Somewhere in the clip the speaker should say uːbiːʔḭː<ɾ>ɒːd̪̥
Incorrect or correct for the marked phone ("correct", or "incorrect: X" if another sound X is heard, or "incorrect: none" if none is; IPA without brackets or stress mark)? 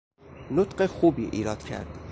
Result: correct